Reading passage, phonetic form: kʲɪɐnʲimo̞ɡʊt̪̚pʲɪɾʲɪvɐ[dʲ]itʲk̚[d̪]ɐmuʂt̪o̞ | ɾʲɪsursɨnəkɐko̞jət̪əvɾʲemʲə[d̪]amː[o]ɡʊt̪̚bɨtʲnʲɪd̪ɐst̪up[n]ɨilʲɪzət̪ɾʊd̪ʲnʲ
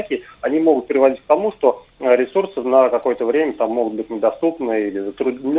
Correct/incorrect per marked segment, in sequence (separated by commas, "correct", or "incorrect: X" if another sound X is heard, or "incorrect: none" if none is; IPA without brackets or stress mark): correct, incorrect: t̪, incorrect: t̪, correct, correct